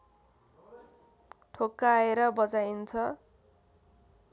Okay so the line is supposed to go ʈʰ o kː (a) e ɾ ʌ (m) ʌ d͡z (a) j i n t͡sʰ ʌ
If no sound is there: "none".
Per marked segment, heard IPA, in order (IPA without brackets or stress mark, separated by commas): a, b, a